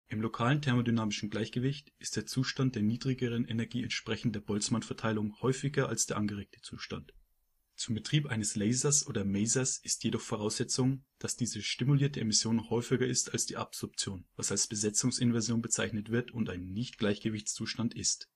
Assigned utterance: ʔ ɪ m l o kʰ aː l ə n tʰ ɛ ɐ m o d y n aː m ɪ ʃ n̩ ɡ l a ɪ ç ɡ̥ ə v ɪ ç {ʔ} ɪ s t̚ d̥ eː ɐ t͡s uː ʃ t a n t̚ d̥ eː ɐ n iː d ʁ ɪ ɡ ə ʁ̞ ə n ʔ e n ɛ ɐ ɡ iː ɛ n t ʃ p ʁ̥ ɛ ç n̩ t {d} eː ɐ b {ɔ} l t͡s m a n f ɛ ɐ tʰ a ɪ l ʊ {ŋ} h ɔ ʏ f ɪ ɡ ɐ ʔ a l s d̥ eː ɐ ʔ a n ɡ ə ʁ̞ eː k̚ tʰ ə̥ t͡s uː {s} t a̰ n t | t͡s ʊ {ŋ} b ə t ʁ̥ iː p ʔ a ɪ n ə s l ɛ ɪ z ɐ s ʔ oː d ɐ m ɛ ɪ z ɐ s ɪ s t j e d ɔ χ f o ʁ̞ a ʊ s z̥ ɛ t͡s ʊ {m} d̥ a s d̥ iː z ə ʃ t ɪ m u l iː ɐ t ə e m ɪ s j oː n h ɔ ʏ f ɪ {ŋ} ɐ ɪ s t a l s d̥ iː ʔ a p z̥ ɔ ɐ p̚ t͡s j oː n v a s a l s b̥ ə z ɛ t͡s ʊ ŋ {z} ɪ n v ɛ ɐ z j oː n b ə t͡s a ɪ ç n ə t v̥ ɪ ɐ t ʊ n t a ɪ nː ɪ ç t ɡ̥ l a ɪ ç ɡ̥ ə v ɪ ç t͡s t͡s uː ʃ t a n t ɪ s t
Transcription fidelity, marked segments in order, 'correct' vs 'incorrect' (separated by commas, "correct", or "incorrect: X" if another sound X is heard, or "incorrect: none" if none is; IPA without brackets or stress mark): incorrect: t, correct, correct, correct, incorrect: ʃ, incorrect: m, incorrect: ŋ, incorrect: ɡ, incorrect: s